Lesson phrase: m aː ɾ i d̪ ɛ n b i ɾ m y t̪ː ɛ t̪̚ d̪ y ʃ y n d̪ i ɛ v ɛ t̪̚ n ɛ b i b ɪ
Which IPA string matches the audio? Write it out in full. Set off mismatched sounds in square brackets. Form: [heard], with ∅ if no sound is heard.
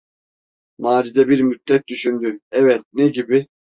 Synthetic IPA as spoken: m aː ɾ i d̪ ɛ [∅] b i ɾ m y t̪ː ɛ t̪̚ d̪ y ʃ y n d̪ [y] ɛ v ɛ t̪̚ n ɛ [ɟ] i b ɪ